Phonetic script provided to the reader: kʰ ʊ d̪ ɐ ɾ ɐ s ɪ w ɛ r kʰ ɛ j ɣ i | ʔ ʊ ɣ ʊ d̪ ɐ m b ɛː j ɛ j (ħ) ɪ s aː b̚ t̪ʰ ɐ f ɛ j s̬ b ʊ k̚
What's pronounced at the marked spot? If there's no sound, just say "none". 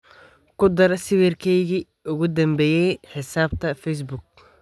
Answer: ħ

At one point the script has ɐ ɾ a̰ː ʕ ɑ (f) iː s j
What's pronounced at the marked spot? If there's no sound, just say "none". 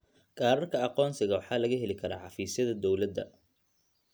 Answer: f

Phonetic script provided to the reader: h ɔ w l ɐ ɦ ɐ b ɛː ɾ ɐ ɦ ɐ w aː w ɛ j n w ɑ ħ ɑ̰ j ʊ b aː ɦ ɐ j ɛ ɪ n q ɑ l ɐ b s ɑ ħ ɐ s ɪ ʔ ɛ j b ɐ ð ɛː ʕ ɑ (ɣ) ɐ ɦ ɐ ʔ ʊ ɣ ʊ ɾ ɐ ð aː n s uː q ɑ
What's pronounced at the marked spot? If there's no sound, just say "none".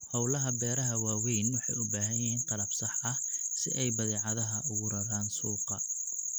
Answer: ð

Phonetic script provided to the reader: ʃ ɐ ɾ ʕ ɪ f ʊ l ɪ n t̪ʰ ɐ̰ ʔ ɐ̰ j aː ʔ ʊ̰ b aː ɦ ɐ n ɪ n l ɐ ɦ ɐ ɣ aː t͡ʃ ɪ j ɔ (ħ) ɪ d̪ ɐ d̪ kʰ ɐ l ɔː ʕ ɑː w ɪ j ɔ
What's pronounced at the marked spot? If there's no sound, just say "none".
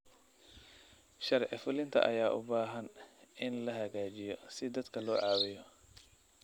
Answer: s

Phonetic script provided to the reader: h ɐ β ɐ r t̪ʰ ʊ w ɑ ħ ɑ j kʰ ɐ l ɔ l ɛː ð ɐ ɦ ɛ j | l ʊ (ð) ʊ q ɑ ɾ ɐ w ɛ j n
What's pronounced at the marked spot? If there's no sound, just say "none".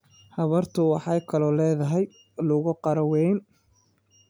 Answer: ɣ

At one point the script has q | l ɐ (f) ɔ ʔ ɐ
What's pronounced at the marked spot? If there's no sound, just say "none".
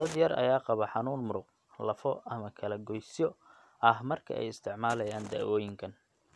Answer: f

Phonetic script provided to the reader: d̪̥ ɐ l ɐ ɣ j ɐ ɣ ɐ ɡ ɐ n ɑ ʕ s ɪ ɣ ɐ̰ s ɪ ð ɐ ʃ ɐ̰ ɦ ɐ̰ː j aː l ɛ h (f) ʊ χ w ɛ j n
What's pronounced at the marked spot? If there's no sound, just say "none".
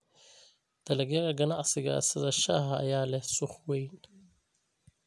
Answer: s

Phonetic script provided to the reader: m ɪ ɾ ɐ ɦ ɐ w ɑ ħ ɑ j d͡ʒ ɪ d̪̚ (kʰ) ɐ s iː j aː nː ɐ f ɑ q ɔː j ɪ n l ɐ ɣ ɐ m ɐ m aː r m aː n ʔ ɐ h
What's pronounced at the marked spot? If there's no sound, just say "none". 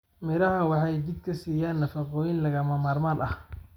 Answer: kʰ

